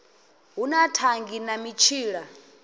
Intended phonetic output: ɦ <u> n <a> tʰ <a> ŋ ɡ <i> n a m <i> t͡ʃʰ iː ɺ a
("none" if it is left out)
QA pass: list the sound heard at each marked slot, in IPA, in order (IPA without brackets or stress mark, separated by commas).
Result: u, a, a, i, i